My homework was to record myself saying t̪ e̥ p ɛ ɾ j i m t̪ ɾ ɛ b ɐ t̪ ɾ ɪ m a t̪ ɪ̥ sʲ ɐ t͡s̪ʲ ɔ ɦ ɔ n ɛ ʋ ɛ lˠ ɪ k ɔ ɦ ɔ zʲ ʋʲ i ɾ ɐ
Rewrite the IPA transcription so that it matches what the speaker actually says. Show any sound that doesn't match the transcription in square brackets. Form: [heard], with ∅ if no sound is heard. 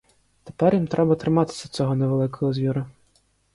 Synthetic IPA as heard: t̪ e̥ p ɛ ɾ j i m t̪ ɾ ɛ b ɐ t̪ ɾ ɪ m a t̪ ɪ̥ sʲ ɐ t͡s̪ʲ ɔ ɦ ɔ n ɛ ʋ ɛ lˠ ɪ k ɔ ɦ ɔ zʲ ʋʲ i ɾ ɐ